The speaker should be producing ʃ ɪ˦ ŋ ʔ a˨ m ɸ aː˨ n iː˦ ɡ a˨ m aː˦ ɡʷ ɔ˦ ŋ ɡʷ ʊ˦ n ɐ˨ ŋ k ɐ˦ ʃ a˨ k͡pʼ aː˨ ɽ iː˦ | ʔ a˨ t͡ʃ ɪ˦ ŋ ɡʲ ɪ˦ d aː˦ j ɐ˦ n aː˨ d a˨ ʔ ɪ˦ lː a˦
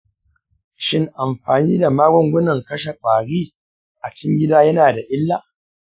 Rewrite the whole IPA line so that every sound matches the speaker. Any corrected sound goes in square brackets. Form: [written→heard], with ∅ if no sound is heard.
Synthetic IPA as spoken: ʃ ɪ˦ ŋ ʔ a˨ m ɸ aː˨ n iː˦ [ɡ→d] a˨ m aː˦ ɡʷ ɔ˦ ŋ ɡʷ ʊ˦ n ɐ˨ ŋ k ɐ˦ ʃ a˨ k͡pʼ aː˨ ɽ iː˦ | ʔ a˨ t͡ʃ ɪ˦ ŋ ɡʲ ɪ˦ d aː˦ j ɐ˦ n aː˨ d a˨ ʔ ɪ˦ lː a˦